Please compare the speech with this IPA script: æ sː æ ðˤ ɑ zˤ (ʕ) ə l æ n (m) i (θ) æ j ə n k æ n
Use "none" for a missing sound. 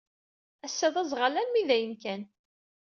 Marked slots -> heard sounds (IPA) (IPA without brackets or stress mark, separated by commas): ʁ, m, ð